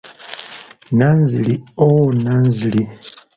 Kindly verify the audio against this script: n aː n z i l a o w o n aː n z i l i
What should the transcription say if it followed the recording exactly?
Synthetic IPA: n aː n z i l i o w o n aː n z i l i